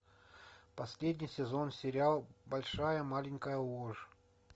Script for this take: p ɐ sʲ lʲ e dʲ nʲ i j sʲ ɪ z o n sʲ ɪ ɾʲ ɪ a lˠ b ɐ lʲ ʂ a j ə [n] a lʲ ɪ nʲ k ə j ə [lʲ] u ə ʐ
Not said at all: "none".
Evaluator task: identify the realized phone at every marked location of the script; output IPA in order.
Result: m, none

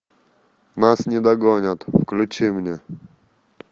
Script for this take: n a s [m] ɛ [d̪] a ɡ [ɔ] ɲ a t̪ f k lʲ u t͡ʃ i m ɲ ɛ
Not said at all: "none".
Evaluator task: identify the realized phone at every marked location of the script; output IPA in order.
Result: ɲ, d̪, ɔ

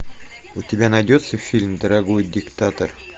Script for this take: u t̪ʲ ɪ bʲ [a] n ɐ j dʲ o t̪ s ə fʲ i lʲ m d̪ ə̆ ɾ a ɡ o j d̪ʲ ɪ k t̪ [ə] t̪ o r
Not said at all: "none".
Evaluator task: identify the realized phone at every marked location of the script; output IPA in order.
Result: æ, a

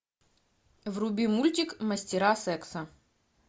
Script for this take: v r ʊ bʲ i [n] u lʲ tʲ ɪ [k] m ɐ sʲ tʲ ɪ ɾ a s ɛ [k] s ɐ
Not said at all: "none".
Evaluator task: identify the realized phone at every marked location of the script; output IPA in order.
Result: m, k, k

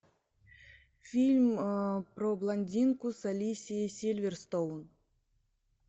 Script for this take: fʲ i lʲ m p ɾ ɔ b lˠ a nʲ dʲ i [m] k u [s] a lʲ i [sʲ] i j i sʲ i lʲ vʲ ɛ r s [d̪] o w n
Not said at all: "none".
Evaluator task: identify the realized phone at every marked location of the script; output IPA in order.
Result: n, s, sʲ, t̪

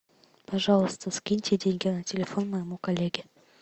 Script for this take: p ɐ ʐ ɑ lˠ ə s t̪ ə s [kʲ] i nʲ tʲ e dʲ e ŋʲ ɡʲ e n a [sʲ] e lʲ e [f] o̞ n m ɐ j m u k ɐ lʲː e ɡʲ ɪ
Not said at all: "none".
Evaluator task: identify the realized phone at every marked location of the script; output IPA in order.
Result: kʲ, tʲ, f

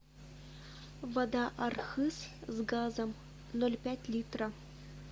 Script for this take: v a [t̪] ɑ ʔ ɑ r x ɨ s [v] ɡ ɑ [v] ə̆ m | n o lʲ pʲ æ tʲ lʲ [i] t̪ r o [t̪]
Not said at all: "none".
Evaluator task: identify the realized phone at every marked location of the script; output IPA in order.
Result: d̪, z, z, i, none

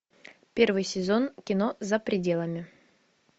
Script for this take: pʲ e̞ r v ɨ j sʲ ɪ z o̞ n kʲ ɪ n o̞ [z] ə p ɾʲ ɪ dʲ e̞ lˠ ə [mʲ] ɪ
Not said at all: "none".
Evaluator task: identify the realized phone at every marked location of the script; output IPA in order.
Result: z, mʲ

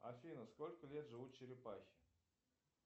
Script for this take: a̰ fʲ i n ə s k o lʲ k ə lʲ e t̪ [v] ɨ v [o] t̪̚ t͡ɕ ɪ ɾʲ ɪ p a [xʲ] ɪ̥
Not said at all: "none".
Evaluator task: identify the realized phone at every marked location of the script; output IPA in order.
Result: ʐ, u, xʲ

